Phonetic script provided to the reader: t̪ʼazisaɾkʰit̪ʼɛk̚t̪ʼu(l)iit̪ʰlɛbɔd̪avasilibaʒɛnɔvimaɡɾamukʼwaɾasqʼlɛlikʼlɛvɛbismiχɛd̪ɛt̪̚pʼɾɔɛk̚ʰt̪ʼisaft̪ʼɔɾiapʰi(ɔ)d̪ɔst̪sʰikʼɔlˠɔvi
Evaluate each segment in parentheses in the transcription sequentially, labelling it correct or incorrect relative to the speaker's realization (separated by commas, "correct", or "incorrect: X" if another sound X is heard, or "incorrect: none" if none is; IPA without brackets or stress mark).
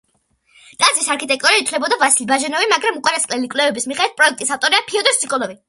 incorrect: ɾ, correct